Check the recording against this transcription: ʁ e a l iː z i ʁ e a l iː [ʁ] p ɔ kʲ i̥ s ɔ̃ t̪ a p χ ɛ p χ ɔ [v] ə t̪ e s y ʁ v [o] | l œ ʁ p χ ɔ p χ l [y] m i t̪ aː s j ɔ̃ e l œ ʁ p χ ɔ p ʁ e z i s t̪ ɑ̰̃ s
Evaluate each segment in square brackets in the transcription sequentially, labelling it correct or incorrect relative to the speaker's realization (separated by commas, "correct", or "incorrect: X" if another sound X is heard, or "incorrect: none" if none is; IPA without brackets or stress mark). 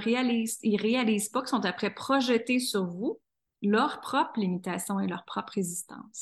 incorrect: z, incorrect: ʒ, incorrect: u, incorrect: i